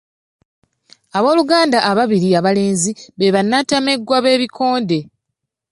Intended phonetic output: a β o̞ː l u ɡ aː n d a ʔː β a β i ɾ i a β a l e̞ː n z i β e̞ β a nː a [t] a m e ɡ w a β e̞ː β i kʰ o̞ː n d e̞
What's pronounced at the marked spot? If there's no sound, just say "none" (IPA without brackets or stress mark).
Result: t